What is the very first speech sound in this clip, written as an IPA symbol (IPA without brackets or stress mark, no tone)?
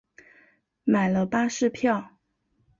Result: m